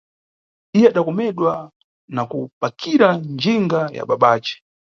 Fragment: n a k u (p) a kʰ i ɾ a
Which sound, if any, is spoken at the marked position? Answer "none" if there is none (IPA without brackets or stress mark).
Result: p